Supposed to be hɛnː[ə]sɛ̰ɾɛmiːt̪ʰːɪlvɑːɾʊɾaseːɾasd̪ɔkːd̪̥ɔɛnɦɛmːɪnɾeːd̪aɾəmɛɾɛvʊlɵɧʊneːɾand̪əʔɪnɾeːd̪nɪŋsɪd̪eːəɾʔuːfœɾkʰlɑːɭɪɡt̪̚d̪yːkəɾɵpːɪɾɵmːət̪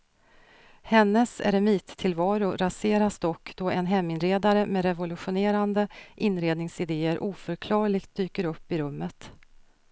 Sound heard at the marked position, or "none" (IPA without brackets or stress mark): ə